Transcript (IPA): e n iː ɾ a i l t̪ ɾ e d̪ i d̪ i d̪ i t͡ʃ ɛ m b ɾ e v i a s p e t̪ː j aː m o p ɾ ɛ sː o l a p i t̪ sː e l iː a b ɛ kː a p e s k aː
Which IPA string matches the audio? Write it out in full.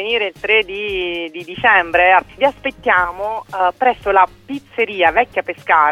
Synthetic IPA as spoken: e n iː ɾ e i l t̪ ɾ e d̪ i d̪ i d̪ i t͡ʃ ɛ m b ɾ e v i a s p e t̪ː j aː m o p ɾ ɛ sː o l a p i t̪ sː e ɾ iː a v ɛ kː a p e s k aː